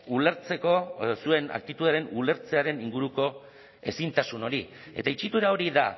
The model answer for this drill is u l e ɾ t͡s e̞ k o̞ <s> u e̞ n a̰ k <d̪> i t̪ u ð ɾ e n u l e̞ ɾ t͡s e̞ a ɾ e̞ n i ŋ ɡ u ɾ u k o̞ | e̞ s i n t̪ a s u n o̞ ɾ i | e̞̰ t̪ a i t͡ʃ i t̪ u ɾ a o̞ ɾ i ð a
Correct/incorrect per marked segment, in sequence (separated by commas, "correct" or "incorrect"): correct, incorrect